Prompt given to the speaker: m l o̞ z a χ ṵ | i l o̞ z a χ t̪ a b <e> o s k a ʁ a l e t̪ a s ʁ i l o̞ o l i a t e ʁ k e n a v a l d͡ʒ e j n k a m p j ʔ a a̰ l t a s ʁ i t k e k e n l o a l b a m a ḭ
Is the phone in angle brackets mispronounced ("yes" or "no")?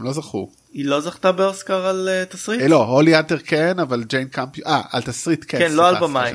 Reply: no